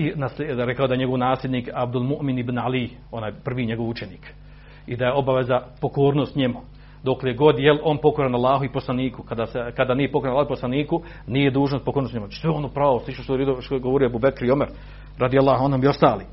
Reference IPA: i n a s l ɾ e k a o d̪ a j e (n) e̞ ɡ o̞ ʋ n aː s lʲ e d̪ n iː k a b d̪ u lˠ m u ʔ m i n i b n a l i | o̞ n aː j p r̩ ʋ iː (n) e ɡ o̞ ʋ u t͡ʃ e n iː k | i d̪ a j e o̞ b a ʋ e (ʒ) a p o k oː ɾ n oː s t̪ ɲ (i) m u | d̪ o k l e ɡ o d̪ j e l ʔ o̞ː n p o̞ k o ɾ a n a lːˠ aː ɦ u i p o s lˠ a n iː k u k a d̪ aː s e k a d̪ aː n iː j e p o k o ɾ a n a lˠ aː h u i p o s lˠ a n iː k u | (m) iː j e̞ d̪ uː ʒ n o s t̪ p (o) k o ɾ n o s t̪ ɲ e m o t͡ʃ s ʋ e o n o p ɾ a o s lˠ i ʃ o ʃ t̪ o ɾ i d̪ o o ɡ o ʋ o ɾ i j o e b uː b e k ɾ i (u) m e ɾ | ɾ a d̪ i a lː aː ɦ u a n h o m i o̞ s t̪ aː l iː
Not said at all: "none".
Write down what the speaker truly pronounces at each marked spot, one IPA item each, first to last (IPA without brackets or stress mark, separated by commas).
ɲ, ɲ, z, e, n, o, o